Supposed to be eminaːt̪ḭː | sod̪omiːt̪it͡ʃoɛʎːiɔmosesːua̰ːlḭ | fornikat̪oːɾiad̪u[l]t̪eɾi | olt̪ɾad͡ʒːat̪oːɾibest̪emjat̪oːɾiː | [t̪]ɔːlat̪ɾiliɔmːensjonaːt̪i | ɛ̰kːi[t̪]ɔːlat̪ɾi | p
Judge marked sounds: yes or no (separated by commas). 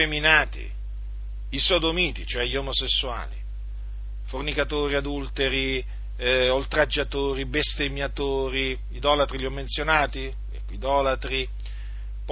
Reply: yes, no, no